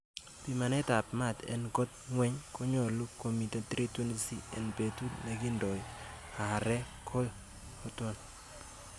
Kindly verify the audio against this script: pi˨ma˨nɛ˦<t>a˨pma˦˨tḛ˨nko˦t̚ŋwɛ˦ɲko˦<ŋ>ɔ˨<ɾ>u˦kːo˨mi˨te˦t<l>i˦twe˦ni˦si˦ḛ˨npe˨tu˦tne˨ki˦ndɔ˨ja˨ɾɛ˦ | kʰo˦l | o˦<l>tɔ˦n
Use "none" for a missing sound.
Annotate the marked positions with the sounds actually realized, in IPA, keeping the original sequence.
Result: t, ɲ, l, ɾ, none

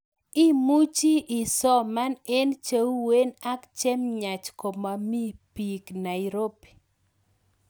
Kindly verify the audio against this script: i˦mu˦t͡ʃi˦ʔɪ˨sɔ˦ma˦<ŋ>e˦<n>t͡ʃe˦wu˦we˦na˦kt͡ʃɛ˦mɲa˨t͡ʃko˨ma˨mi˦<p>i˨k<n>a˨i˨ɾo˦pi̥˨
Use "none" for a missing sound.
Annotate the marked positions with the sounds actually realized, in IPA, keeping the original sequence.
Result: n, n, p, n

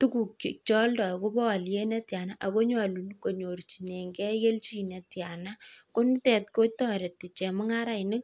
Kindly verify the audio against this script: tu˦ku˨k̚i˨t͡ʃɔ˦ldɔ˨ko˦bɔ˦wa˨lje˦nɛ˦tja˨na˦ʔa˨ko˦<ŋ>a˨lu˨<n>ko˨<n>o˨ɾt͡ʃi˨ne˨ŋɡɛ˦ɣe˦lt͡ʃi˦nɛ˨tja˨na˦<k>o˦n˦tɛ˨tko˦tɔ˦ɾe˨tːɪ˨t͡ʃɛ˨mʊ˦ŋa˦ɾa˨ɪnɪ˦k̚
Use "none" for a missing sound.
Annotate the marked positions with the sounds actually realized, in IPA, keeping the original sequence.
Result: ɲ, n, ɲ, k

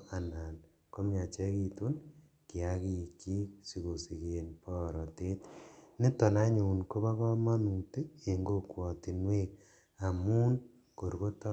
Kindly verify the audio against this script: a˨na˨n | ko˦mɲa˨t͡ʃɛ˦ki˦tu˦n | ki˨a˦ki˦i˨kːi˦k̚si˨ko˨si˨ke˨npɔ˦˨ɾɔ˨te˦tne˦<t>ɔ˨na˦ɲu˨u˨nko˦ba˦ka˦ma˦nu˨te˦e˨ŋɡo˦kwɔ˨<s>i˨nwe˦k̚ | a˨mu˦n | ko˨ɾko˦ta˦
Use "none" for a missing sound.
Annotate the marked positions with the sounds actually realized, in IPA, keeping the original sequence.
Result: t, t

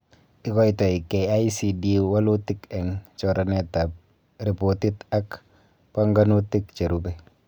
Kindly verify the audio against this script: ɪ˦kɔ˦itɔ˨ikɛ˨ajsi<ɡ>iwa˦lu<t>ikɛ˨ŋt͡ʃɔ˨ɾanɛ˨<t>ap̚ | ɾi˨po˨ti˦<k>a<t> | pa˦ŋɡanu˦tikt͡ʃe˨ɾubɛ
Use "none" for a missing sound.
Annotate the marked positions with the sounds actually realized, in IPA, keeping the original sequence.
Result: d, t, t, t, k

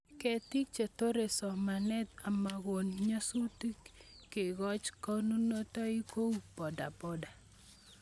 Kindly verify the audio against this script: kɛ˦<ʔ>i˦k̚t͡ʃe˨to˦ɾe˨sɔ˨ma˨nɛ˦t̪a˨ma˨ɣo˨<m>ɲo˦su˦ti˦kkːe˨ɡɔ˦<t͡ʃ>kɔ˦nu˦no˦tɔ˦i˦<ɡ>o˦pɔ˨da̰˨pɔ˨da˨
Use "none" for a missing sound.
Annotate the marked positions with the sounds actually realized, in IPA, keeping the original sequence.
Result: t, n, t͡ʃ, k

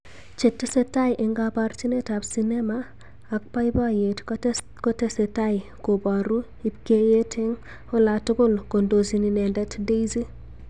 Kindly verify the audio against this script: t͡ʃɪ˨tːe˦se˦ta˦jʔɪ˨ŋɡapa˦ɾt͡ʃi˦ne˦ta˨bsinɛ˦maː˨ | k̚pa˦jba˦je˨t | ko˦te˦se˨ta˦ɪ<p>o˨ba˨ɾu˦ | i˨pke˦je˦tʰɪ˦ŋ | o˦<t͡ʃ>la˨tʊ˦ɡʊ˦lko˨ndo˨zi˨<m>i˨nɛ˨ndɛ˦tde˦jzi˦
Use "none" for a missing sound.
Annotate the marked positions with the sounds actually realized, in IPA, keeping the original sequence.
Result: k, none, n

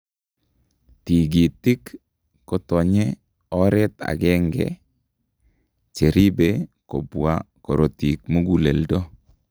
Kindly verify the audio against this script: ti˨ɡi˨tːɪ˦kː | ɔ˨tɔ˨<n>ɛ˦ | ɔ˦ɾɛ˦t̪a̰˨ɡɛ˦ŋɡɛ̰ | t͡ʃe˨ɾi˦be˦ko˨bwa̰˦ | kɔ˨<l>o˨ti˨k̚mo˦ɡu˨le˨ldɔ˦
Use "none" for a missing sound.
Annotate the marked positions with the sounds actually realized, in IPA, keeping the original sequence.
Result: ɲ, ɾ

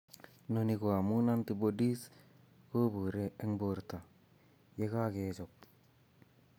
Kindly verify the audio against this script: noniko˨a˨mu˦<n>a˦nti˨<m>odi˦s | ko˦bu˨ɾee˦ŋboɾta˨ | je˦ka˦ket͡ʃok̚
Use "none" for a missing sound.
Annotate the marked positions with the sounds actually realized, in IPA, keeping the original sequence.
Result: n, b

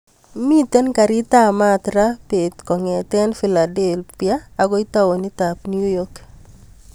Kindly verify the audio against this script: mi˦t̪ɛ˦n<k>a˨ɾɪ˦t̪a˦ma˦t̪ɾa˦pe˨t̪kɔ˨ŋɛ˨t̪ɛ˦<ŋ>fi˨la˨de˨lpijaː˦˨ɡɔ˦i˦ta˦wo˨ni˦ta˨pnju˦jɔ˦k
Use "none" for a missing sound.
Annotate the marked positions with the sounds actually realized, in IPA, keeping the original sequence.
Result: k, n

